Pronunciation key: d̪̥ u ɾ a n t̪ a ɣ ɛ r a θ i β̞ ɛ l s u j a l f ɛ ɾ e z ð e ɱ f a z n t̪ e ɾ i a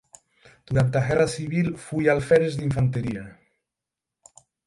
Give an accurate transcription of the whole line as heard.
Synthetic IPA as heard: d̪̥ u ɾ a n t̪ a ɣ ɛ r a s i β̞ i l f u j a l f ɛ ɾ e z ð i ɱ f a n t̪ e ɾ i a